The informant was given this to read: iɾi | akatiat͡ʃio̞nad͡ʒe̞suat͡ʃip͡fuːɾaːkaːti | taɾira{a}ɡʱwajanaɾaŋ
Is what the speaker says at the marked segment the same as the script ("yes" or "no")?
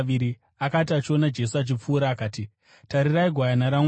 no